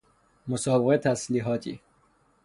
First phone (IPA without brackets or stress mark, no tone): m